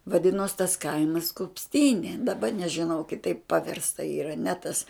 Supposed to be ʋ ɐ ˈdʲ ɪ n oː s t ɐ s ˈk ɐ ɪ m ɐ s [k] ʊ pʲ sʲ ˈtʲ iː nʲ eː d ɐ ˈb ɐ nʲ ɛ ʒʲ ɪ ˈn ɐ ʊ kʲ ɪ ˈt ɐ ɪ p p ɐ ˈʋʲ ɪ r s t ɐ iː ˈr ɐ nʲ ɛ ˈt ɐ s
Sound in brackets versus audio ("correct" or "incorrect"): correct